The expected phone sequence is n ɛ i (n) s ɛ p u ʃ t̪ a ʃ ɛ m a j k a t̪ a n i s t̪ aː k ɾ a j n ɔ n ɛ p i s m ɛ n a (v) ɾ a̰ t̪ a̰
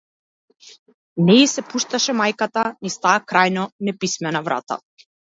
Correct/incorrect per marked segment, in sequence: incorrect, correct

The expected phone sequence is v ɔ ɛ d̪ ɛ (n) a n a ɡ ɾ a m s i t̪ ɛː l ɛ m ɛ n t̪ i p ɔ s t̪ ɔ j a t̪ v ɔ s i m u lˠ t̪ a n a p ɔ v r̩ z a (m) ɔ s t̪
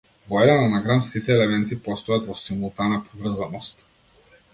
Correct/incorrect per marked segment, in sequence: correct, incorrect

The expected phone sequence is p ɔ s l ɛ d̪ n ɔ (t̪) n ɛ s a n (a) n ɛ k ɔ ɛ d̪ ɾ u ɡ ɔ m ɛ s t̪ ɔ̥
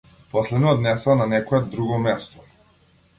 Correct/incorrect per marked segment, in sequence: incorrect, correct

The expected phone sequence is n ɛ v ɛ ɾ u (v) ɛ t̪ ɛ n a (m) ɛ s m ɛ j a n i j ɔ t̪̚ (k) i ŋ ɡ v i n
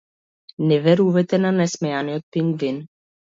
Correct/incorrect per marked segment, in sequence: correct, incorrect, incorrect

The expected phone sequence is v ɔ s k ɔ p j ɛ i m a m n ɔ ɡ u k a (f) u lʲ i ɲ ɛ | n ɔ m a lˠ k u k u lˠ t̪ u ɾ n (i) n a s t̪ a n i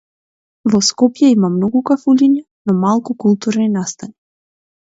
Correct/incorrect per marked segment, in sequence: correct, correct

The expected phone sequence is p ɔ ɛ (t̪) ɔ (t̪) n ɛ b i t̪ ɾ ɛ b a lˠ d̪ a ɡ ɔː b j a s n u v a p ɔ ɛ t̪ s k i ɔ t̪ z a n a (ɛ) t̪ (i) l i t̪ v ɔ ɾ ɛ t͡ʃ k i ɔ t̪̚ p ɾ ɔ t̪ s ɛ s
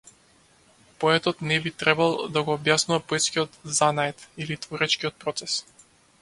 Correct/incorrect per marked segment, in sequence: correct, correct, correct, correct

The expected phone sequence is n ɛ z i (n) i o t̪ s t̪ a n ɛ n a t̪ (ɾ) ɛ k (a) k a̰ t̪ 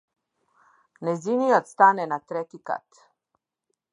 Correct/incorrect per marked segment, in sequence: correct, correct, incorrect

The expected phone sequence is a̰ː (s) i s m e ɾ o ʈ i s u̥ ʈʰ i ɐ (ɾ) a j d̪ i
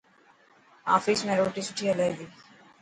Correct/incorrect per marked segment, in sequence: incorrect, incorrect

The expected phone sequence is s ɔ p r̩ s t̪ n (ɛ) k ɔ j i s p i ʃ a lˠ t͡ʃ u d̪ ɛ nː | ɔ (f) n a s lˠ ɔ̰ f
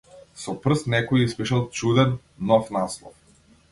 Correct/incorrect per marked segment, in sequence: correct, correct

